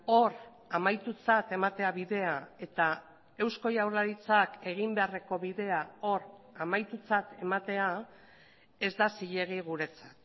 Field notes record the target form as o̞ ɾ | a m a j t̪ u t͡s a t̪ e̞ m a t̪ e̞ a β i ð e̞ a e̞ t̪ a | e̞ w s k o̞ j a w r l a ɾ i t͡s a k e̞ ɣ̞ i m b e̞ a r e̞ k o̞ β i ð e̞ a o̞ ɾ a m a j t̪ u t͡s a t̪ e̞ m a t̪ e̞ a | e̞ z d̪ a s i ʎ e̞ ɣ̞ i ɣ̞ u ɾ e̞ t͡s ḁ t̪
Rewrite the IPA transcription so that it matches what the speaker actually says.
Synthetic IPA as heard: o̞ ɾ | a m a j t̪ u t͡s a t̪ e̞ m a t̪ e̞ a β i ð e̞ a e̞ t̪ a | e̞ w s k o̞ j a w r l a ɾ i t͡s a k e̞ ɣ̞ i m b e̞ a r e̞ k o̞ β i ð e̞ a o̞ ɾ a m a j t̪ u t͡s a t̪ e̞ m a t̪ e̞ a | e̞ z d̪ a s i ʎ e̞ ɣ̞ i ɣ̞ u ɾ e̞ t͡s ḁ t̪

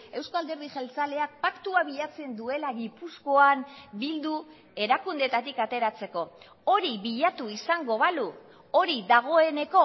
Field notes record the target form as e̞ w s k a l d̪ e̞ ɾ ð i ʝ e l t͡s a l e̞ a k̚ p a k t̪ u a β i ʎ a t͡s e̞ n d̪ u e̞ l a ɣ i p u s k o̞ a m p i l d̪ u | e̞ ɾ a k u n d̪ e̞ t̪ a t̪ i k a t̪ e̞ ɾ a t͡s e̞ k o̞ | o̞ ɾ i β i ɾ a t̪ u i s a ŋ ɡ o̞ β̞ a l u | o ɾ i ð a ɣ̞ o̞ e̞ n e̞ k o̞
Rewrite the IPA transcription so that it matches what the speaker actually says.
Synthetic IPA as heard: e̞ w s k a l d̪ e̞ ɾ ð i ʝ e l t͡s a l e̞ a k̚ p a k t̪ u a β i ʎ a t͡s e̞ n d̪ u e̞ l a ɣ i p u s k o̞ a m b i l d̪ u | e̞ ɾ a k u n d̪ e̞ t̪ a t̪ i k a t̪ e̞ ɾ a t͡s e̞ k o̞ | o̞ ɾ i β i ʎ a t̪ u i s a ŋ ɡ o̞ β̞ a l u | o ɾ i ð a ɣ̞ o̞ e̞ n e̞ k o̞

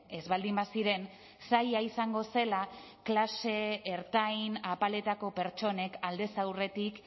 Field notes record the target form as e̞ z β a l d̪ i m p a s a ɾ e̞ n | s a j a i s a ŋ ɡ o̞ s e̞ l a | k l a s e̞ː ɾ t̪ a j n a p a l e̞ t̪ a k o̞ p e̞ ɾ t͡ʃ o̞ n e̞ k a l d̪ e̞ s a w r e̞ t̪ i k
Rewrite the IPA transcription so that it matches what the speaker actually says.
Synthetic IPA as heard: e̞ z β a l d̪ i m b a s i ɾ e̞ n | s a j a i s a ŋ ɡ o̞ s e̞ l a | k l a s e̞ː ɾ t̪ a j n a p a l e̞ t̪ a k o̞ p e̞ ɾ t͡ʃ o̞ n e̞ k a l d̪ e̞ s a w r e̞ t̪ i k

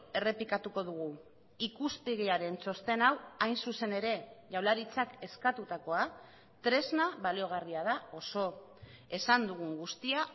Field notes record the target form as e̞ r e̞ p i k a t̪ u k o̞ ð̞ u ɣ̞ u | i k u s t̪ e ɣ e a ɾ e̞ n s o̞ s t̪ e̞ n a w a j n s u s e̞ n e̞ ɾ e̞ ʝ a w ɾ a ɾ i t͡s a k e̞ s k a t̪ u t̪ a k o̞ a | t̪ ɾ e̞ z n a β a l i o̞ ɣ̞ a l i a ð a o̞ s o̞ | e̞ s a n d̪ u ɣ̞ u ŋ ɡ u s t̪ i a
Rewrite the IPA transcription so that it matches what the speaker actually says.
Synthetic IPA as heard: e̞ r e̞ p i k a t̪ u k o̞ ð̞ u ɣ̞ u | i k u s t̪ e ɣ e a ɾ e̞ n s o̞ s t̪ e̞ n a w a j n s u s e̞ n e̞ ɾ e̞ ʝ a w l a ɾ i t͡s a k e̞ s k a t̪ u t̪ a k o̞ a | t̪ ɾ e̞ z n a β a l i o̞ ɣ̞ a r i a ð a o̞ s o̞ | e̞ s a n d̪ u ɣ̞ u ŋ ɡ u s t̪ i a

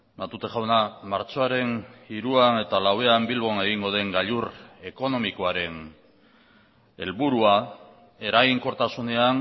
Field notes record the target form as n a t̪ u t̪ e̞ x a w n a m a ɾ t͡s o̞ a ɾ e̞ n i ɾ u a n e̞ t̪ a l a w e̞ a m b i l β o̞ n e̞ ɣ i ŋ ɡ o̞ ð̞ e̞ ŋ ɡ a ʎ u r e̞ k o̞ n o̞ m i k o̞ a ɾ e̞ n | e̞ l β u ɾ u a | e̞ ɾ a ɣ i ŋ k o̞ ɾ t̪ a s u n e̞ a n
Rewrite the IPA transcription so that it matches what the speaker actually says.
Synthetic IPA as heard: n a t̪ u t̪ e̞ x a w n a m a ɾ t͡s o̞ a ɾ e̞ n i ɾ u a n e̞ t̪ a l a w e̞ a m b i l β o̞ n e̞ ɣ i ŋ ɡ o̞ ð̞ e̞ ŋ ɡ a ʎ u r e̞ k o̞ n o̞ m i k o̞ a ɾ e̞ n | e̞ l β u ɾ u a | e̞ ɾ a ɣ i ŋ k o̞ ɾ t̪ a s u n e̞ a n

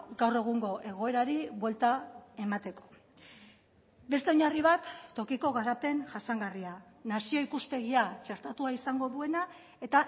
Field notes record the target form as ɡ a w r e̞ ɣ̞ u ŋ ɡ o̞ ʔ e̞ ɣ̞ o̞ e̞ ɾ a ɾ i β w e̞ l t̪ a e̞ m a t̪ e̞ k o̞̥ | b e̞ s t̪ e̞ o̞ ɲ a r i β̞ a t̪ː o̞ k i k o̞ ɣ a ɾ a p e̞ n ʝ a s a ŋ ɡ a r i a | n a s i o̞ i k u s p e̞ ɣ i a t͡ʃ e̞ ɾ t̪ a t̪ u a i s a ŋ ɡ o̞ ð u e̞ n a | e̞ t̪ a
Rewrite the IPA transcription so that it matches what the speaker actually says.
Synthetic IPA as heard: ɡ a w r e̞ ɣ̞ u ŋ ɡ o̞ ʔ e̞ ɣ̞ o̞ e̞ ɾ a ɾ i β w e̞ l t̪ a e̞ m a t̪ e̞ k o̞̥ | b e̞ s t̪ e̞ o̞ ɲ a r i β̞ a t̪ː o̞ k i k o̞ ɣ a ɾ a p e̞ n ʝ a s a ŋ ɡ a r i a | n a s i o̞ i k u s p e̞ ɣ i a t͡ʃ e̞ ɾ t̪ a t̪ u a i s a ŋ ɡ o̞ ð u e̞ n a | e̞ t̪ a

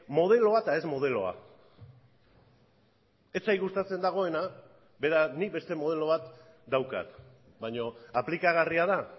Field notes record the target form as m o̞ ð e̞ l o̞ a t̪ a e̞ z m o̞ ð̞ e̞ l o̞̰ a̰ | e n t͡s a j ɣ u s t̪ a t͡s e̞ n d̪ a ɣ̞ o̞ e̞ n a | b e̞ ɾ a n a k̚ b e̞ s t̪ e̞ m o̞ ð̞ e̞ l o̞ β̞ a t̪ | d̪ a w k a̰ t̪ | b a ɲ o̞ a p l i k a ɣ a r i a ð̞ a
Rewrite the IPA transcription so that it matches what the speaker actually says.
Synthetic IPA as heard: m o̞ ð e̞ l o̞ a t̪ a e̞ z m o̞ ð̞ e̞ l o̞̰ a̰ | e t͡s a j ɣ u s t̪ a t͡s e̞ n d̪ a ɣ̞ o̞ e̞ n a | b e̞ ɾ a n i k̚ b e̞ s t̪ e̞ m o̞ ð̞ e̞ l o̞ β̞ a t̪ | d̪ a w k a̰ t̪ | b a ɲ o̞ a p l i k a ɣ a r i a ð̞ a

